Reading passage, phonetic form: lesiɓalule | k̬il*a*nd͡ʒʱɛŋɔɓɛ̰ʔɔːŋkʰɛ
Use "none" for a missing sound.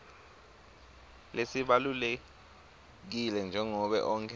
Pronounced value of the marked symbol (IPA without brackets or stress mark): ɛ